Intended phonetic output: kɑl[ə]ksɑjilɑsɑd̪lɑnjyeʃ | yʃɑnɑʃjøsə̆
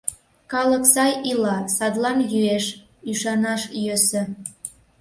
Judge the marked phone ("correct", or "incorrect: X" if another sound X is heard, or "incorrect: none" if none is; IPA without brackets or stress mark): correct